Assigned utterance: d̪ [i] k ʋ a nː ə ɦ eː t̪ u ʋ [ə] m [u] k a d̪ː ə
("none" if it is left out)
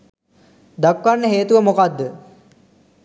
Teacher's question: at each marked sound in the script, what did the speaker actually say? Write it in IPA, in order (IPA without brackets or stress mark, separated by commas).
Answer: a, ə, o